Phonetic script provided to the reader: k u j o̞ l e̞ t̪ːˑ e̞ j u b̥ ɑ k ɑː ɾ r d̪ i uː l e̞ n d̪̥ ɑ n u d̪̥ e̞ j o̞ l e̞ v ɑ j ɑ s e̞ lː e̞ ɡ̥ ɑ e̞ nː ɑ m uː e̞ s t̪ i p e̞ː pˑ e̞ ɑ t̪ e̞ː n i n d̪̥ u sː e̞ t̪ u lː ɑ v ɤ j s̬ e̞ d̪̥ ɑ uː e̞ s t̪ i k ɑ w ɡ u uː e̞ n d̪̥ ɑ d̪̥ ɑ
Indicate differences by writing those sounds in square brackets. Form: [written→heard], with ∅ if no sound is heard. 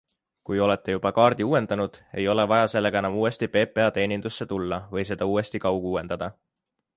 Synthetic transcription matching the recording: k u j o̞ l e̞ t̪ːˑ e̞ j u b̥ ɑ k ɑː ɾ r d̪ i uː [l→∅] e̞ n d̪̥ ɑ n u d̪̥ e̞ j o̞ l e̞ v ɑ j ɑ s e̞ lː e̞ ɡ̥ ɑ e̞ [nː→n] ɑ m uː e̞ s t̪ i p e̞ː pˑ e̞ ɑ t̪ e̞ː n i n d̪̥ u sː e̞ t̪ u lː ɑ v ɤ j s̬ e̞ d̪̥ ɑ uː e̞ s t̪ i k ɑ w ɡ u uː e̞ n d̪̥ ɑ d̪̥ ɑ